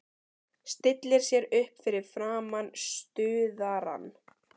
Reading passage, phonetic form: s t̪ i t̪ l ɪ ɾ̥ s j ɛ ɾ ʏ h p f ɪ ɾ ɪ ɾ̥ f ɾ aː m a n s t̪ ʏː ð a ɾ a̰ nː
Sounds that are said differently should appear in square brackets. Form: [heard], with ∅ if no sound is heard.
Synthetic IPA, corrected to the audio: s t̪ [ɪ] t̪ l ɪ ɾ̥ s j ɛ ɾ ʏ h p f ɪ ɾ ɪ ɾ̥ f ɾ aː m a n s t̪ ʏː ð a ɾ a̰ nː